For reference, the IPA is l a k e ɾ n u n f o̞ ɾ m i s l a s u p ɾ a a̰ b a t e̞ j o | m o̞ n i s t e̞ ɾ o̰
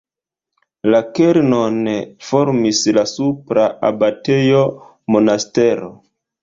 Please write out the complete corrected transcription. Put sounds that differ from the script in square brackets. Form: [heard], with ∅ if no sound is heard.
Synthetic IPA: l a k e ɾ n [o] n f o̞ ɾ m i s l a s u p ɾ a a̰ b a t e̞ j o | m o̞ n [a] s t e̞ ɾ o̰